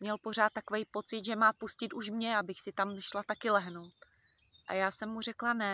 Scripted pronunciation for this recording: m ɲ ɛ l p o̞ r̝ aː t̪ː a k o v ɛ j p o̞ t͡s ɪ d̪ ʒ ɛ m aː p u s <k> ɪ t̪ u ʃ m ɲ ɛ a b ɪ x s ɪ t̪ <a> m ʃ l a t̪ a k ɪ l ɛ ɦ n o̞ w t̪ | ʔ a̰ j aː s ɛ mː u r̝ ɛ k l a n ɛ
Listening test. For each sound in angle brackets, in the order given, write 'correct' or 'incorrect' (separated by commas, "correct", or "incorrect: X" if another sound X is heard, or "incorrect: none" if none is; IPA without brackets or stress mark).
incorrect: c, correct